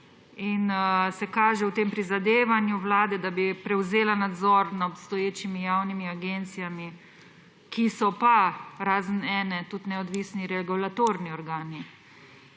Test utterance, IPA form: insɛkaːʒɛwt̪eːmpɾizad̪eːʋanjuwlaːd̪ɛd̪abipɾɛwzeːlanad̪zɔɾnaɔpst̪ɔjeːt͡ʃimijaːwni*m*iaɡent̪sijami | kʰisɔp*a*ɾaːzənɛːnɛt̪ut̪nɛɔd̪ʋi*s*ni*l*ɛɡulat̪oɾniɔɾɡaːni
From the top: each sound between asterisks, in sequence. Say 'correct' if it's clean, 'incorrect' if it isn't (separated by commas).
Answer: correct, correct, correct, incorrect